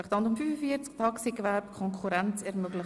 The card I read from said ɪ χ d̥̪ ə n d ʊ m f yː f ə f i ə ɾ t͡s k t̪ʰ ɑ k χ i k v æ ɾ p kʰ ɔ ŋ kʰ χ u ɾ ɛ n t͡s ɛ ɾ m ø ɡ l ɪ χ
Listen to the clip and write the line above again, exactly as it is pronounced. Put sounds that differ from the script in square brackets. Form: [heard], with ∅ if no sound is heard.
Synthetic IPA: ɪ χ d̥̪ [ɑ] n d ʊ m f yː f ə f i ə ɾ t͡s k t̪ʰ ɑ k [s] i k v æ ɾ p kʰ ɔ ŋ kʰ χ u ɾ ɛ n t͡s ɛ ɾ m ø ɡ l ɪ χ